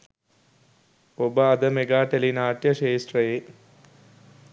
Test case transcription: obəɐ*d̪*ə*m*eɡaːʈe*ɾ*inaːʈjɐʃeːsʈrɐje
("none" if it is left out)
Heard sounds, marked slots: d̪, m, l

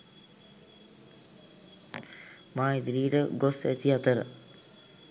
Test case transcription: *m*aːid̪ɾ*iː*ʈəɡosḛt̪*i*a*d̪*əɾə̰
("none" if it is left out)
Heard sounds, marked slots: m, iː, i, t̪

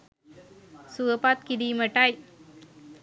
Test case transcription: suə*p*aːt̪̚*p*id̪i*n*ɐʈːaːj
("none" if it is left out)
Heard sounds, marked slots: p, k, m

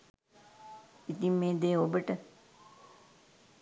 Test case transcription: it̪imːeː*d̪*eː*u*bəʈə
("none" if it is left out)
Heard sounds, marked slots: d̪, o

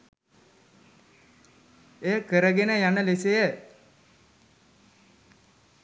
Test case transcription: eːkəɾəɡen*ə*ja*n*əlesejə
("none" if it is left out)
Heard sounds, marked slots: ə, n

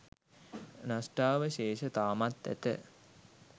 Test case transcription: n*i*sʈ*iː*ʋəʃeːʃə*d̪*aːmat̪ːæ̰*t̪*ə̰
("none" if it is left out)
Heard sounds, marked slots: a, aː, t̪, t̪

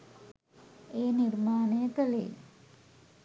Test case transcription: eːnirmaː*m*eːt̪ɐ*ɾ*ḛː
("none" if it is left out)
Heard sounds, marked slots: n, l

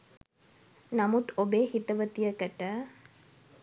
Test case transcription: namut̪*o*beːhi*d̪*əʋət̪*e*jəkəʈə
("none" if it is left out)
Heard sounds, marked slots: o, t̪, i

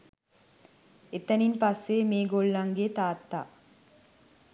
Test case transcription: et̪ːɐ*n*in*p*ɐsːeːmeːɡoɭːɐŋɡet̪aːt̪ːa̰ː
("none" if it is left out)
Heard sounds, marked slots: n, p

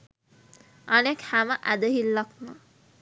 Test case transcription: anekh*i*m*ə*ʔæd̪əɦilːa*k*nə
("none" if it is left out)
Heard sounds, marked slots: æ, ə, k

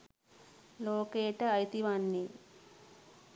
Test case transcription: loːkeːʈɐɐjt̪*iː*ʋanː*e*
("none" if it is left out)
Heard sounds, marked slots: i, i

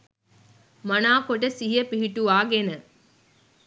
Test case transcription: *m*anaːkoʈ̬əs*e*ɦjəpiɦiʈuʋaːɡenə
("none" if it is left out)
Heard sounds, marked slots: m, i

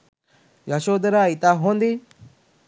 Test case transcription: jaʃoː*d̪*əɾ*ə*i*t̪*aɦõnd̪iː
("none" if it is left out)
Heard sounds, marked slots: d̪, a, t̪

